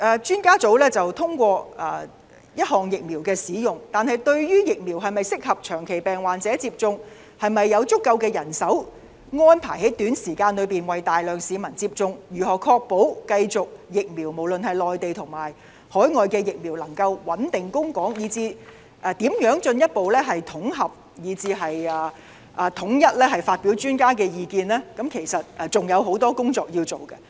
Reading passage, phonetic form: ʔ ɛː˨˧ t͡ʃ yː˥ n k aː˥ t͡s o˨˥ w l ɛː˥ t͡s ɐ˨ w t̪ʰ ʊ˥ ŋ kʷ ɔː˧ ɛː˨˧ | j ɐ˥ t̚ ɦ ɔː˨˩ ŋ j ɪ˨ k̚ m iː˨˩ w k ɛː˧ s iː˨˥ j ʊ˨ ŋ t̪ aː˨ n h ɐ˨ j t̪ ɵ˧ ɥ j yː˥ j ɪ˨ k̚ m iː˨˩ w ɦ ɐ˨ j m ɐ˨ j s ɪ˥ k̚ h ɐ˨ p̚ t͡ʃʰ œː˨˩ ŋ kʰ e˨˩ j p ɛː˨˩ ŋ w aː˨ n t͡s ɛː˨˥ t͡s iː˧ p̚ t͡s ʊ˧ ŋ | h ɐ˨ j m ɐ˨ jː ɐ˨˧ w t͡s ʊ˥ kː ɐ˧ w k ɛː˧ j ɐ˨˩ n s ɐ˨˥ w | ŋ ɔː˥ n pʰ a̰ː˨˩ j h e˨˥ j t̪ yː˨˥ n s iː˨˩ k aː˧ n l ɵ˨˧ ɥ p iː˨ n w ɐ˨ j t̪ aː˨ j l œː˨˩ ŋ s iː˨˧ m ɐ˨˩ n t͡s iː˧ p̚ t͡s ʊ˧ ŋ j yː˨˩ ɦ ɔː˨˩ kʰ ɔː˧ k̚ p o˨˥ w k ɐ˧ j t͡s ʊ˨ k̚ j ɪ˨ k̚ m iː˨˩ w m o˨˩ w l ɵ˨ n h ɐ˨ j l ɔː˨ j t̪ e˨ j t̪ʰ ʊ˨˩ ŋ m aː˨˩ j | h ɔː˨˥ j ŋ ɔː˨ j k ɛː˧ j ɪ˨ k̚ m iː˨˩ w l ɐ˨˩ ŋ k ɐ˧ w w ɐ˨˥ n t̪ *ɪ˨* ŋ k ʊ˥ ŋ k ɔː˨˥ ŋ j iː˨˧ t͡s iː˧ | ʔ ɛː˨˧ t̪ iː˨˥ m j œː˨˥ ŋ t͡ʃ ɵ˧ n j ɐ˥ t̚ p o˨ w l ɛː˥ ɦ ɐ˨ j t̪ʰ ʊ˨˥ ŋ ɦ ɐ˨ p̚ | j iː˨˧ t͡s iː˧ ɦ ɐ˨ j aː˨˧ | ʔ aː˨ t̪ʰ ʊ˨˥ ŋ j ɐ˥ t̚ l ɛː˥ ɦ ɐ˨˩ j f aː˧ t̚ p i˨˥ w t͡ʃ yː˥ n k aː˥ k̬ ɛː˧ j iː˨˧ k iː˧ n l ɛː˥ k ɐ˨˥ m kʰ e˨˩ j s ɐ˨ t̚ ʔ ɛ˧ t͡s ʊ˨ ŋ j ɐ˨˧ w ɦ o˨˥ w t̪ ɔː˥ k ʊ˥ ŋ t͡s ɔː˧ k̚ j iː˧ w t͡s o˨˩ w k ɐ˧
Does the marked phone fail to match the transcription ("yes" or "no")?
no